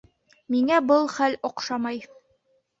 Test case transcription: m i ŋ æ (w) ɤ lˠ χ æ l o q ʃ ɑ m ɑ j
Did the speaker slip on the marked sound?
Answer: yes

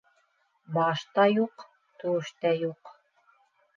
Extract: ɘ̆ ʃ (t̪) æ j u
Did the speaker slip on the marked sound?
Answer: no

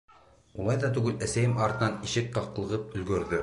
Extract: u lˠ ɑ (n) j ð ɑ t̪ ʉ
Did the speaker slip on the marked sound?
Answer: yes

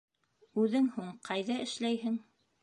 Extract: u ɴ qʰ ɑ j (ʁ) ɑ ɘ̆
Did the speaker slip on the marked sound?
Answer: yes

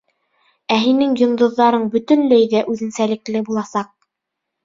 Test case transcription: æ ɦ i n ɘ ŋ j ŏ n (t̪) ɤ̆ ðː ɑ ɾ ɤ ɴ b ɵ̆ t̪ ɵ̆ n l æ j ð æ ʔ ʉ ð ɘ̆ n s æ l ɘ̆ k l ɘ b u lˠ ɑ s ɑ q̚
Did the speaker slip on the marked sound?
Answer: yes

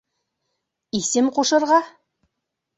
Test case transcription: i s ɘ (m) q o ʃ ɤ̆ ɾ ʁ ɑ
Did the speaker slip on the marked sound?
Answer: no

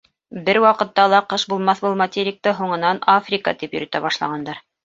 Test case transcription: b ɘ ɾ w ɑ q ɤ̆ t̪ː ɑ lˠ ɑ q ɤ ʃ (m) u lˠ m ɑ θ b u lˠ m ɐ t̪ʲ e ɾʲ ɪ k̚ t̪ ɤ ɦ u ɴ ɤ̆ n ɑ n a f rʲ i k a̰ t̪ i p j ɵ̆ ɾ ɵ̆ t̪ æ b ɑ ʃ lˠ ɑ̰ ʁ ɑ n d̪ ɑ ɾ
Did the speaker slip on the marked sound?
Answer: yes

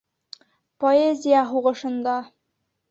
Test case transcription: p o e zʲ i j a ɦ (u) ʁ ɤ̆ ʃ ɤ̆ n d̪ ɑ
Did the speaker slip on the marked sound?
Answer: no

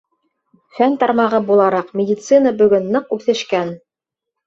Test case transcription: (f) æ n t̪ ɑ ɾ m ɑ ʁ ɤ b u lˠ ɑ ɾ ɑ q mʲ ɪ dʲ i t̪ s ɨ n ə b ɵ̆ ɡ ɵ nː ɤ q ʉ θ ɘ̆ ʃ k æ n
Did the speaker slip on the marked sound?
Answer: no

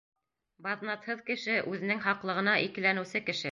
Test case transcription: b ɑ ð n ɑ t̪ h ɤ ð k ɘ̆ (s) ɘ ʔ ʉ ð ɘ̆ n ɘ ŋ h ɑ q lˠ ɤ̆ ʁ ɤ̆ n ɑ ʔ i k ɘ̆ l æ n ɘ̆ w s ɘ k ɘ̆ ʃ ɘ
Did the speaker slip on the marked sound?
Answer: yes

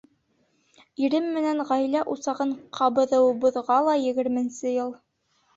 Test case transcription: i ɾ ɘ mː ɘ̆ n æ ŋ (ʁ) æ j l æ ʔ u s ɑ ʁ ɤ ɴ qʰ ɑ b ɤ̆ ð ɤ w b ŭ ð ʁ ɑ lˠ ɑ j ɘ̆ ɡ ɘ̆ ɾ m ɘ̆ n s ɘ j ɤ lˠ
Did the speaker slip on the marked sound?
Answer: no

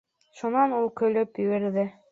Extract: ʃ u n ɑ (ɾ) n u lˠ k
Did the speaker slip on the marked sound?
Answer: yes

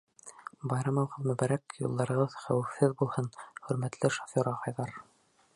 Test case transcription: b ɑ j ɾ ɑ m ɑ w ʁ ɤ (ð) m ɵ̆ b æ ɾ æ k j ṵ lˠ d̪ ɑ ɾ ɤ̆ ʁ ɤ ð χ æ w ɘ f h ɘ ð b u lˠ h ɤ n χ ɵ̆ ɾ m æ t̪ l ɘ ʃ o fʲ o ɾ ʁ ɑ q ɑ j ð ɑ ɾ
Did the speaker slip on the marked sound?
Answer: no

